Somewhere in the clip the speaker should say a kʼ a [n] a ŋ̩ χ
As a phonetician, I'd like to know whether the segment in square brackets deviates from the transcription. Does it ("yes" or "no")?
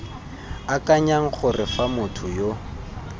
yes